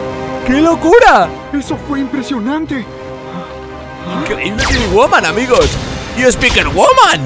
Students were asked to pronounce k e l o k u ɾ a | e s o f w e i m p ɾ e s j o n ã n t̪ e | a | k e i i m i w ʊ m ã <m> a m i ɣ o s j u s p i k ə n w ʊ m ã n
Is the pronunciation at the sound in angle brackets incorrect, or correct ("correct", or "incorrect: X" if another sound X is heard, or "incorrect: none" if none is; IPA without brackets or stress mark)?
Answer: incorrect: n